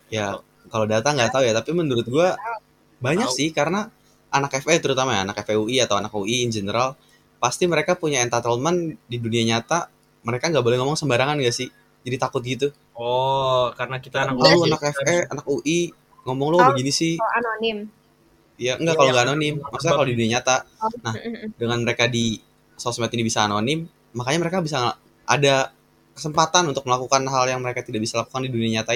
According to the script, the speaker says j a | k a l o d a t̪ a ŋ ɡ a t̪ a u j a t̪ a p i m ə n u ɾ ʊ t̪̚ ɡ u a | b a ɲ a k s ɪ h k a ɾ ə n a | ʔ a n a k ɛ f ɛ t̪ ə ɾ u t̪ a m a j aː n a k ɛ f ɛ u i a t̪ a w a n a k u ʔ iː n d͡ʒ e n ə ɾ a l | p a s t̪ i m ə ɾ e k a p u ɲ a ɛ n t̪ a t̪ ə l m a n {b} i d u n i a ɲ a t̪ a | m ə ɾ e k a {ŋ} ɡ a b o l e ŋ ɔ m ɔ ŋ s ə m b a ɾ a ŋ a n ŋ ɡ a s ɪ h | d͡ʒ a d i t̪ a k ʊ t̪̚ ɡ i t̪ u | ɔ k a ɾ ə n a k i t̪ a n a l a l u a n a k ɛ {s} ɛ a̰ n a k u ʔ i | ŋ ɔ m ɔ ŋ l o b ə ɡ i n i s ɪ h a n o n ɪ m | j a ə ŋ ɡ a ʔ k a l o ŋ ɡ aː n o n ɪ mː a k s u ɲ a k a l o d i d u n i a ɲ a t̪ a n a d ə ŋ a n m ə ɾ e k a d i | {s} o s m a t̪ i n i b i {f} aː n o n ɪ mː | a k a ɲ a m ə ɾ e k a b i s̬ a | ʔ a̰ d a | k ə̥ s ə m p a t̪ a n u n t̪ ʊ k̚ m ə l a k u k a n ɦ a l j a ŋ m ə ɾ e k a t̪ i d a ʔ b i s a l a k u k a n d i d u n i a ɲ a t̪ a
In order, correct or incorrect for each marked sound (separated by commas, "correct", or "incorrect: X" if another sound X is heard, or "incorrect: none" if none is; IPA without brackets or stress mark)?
incorrect: d, correct, incorrect: f, correct, incorrect: s